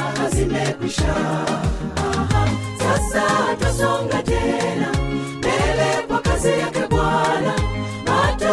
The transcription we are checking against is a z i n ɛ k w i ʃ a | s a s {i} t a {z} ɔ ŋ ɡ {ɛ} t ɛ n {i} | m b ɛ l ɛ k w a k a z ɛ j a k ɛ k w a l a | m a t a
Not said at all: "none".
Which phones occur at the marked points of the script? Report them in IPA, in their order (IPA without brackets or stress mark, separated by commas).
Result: a, s, a, a